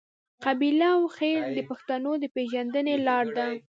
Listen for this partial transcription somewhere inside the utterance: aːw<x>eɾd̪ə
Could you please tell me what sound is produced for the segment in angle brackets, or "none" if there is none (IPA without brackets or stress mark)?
x